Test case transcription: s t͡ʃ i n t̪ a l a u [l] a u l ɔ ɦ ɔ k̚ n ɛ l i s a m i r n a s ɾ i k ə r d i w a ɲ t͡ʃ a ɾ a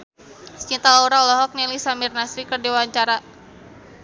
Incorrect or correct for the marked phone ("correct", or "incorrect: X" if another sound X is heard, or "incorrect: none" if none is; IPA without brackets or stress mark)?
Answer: incorrect: ɾ